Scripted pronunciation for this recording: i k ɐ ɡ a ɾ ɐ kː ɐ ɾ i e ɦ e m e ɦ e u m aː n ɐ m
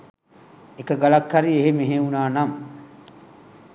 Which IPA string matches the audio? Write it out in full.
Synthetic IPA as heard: e k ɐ ɡ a l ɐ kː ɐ ɾ i e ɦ e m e ɦ e u n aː n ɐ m